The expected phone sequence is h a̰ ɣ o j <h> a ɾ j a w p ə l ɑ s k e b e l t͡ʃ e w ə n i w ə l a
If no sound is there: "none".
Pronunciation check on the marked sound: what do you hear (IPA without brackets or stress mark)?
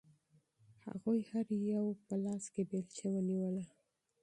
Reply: h